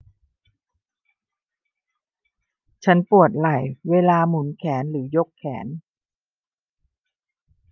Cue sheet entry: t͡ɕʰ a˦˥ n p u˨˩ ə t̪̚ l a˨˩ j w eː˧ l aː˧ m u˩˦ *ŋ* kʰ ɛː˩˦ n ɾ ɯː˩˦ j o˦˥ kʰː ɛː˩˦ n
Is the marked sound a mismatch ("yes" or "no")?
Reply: yes